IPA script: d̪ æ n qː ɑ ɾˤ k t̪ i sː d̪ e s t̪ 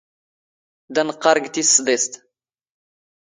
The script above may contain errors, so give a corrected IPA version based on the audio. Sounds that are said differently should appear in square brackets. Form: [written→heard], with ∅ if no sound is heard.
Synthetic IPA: d̪ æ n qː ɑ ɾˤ [k→ɡ] t̪ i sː d̪ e s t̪